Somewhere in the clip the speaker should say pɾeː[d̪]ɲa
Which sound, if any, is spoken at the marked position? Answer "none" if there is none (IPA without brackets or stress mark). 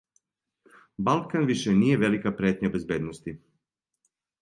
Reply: t̪